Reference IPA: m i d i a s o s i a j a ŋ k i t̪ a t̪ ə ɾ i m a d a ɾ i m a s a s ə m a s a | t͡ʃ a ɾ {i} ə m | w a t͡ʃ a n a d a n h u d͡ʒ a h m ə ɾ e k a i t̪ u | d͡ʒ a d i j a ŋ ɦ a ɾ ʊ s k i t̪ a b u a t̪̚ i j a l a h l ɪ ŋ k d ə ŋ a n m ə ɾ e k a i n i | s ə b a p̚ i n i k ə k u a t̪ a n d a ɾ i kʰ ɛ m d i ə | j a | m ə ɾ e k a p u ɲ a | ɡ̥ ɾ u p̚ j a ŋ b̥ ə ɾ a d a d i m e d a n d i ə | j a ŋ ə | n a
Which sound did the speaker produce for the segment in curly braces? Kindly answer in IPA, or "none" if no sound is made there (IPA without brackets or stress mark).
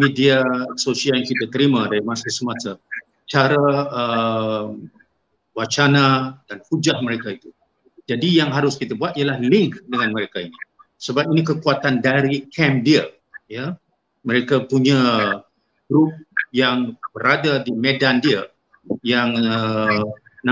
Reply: a